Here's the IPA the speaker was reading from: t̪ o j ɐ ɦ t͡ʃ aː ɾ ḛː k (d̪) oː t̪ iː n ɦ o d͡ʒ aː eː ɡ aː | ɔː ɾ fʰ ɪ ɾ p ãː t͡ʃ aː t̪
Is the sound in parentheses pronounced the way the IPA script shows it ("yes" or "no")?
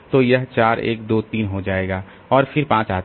yes